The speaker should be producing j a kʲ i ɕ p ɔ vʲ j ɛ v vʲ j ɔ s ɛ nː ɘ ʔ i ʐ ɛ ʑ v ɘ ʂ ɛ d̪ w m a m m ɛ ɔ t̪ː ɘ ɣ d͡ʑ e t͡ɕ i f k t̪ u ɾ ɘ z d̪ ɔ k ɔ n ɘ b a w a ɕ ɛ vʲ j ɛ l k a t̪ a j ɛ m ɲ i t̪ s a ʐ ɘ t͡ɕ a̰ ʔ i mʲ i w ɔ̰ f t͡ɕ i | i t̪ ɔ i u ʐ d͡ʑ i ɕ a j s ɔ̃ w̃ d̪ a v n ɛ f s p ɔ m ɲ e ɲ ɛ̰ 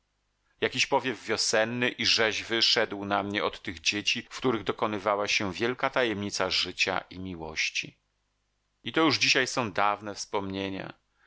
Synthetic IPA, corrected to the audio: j a kʲ i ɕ p ɔ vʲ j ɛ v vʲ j ɔ s ɛ nː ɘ ʔ i ʐ ɛ ʑ v ɘ ʂ ɛ d̪ w n a m ɲ ɛ ɔ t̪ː ɘ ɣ d͡ʑ e t͡ɕ i f k t̪ u ɾ ɘ ɣ d̪ ɔ k ɔ n ɘ v a w a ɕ ɛ vʲ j ɛ l k a t̪ a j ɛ m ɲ i t̪ s a ʐ ɘ t͡ɕ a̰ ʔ i mʲ i w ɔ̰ ɕ t͡ɕ i | i t̪ ɔ j u ʐ d͡ʑ i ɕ a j s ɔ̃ w̃ d̪ a v n ɛ f s p ɔ m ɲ e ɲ a̰